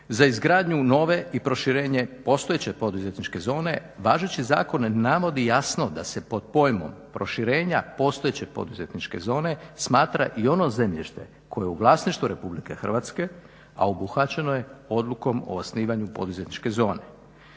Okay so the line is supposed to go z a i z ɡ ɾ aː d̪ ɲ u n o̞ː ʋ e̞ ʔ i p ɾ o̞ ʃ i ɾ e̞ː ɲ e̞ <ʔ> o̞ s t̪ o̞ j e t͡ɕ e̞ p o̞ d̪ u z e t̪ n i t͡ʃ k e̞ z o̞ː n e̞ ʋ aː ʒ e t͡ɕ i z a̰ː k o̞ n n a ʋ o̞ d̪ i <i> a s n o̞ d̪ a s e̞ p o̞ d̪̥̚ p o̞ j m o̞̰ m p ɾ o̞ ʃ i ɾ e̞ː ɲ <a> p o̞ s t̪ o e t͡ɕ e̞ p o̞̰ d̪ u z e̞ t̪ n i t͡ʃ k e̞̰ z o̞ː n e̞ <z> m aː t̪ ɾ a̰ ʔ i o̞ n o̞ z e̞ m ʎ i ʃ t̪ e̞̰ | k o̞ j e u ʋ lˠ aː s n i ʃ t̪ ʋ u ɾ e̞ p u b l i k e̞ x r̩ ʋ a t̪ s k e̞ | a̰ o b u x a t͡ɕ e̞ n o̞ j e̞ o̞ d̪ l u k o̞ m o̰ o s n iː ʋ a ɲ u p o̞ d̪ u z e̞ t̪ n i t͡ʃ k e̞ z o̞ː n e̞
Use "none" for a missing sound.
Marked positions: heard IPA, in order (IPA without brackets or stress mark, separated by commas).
p, j, a, s